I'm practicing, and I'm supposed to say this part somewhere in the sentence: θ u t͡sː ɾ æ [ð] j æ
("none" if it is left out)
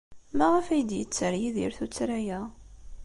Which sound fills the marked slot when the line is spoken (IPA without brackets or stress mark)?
none